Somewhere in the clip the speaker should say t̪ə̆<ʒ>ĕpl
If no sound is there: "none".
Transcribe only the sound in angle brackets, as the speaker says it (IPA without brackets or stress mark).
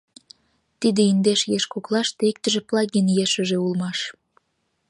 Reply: ʒ